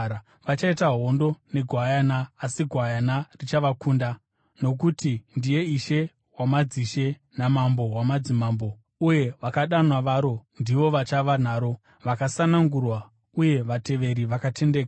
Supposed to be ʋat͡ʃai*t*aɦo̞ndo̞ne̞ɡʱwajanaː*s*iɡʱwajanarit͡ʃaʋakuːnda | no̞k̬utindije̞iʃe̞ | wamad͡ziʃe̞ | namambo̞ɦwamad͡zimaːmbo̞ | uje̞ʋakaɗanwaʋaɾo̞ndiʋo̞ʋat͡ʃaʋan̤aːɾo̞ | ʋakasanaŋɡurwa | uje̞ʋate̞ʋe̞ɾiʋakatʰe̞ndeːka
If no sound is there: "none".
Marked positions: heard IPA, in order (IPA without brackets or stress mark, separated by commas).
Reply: t, s